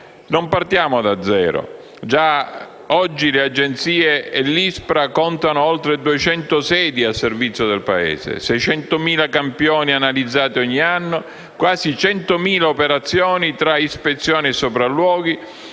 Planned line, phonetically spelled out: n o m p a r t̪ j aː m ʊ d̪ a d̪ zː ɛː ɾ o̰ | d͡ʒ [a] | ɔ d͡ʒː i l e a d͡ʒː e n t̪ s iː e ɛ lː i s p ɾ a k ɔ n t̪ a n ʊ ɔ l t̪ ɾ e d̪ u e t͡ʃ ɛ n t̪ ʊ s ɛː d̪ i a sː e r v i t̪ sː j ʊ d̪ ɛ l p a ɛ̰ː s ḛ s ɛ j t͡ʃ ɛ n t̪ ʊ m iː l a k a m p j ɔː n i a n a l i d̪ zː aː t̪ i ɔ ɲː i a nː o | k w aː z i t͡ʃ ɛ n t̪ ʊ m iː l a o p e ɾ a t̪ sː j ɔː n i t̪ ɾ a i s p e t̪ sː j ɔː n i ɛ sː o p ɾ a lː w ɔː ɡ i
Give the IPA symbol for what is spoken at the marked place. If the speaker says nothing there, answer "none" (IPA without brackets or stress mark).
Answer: a